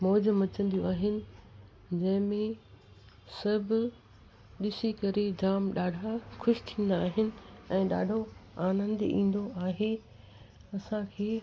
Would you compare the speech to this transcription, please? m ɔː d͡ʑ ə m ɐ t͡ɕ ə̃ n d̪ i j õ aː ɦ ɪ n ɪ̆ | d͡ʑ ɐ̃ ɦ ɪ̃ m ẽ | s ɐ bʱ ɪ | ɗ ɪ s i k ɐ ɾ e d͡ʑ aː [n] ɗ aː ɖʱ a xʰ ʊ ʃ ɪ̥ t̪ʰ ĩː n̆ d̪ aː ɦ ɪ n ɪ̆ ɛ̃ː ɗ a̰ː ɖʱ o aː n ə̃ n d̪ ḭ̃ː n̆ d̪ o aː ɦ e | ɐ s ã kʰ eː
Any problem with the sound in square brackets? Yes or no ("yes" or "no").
yes